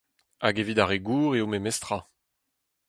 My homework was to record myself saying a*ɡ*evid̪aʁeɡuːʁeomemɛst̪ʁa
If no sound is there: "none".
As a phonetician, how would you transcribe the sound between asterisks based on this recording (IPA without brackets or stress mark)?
ɡ